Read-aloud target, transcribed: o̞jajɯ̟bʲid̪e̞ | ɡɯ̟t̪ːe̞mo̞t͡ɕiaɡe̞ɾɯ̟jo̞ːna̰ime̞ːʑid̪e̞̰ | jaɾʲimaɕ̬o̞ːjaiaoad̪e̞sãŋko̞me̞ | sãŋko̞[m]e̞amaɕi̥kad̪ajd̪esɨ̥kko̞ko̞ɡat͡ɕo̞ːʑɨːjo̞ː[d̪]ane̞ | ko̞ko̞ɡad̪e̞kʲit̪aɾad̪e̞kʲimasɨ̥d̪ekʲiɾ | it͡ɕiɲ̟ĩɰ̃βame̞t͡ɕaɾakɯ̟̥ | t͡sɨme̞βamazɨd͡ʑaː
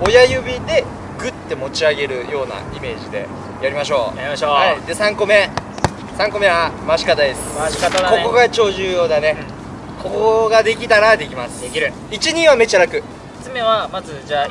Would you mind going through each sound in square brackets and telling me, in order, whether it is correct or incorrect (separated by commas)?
correct, correct